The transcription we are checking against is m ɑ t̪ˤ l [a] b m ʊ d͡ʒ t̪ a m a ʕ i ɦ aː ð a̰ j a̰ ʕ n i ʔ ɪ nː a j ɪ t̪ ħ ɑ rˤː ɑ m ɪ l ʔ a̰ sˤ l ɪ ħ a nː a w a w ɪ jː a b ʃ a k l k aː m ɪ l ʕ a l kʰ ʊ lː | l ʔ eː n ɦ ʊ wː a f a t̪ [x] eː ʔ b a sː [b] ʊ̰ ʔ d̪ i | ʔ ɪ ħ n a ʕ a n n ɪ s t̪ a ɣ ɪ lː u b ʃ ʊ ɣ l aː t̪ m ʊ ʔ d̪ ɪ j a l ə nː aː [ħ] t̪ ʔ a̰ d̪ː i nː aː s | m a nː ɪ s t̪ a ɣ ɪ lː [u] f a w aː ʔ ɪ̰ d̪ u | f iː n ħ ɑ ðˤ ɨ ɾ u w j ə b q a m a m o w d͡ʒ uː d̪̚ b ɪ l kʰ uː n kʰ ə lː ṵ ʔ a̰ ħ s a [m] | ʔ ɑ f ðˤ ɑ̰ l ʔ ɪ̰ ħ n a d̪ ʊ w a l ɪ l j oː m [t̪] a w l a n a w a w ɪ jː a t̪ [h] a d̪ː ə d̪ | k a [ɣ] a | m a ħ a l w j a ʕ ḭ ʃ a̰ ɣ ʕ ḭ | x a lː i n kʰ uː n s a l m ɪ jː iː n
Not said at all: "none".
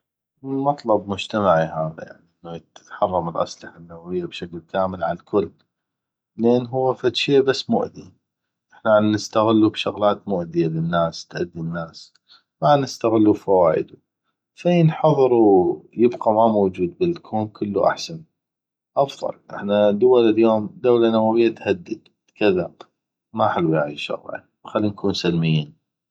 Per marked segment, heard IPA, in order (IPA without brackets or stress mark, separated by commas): ɑ, ʃ, m, s, u, n, d̪, h, ð